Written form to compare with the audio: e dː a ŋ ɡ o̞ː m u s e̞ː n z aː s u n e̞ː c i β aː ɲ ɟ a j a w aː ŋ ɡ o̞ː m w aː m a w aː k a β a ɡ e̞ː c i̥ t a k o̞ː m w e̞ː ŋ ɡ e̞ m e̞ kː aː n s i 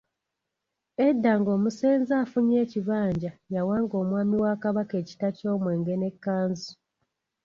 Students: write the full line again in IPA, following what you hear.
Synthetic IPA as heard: e dː a ŋ ɡ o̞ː m u s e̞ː n z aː f u ɲ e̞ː c i β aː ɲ ɟ a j a w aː ŋ ɡ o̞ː m w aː m i w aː k a β a k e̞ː c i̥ t a c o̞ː m w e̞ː ŋ ɡ e̞ n e̞ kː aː n z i